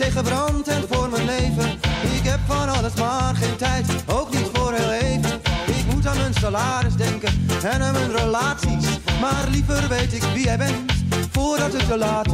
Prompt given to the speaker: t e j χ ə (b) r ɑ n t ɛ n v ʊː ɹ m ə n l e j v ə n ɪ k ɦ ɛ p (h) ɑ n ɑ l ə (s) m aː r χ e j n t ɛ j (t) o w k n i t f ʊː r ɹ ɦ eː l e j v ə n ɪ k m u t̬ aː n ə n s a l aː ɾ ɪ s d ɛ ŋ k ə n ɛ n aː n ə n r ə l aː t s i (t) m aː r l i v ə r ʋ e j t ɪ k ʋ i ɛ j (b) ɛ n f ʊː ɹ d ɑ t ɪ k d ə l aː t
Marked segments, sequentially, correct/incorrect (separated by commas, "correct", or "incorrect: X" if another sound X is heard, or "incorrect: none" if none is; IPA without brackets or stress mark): correct, incorrect: f, correct, correct, incorrect: s, correct